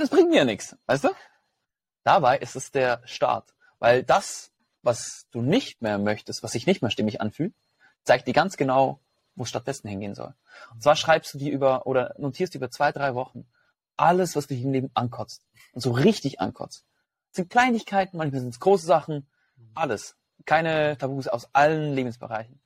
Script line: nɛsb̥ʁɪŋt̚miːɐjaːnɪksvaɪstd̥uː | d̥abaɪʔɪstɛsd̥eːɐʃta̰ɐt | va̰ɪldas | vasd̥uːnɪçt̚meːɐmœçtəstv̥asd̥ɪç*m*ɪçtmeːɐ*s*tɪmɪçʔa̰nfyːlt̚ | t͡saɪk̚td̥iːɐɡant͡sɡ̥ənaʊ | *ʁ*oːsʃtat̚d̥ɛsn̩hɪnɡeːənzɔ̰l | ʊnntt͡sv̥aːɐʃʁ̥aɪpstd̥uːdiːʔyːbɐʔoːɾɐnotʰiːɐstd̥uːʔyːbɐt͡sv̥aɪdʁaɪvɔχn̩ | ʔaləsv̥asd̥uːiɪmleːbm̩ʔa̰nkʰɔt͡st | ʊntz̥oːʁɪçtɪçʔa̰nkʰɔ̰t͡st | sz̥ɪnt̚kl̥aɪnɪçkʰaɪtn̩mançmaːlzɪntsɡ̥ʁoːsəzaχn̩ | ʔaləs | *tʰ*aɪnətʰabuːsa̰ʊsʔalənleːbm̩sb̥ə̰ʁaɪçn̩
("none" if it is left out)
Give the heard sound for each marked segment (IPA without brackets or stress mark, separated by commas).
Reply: n, ʃ, v, kʰ